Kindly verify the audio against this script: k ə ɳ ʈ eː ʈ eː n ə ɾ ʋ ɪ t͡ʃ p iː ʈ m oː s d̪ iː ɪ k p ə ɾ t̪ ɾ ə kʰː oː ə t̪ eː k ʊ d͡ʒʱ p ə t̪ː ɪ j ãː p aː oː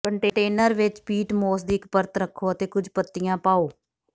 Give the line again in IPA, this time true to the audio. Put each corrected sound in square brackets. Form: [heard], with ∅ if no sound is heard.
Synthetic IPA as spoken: k ə ɳ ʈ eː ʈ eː n ə ɾ ʋ ɪ t͡ʃ p iː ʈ m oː s d̪ iː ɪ k p ə ɾ t̪ ɾ ə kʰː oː ə t̪ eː k ʊ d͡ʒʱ p ə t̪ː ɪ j ãː p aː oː